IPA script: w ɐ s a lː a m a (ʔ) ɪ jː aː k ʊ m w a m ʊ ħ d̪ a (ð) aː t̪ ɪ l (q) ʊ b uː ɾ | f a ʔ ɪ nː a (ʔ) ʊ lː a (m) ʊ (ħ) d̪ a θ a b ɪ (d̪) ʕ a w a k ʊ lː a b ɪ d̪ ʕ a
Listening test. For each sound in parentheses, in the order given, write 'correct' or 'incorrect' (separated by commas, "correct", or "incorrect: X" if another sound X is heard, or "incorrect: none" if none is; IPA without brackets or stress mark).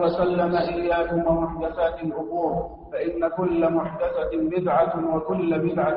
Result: correct, incorrect: θ, incorrect: ʔ, incorrect: k, correct, correct, correct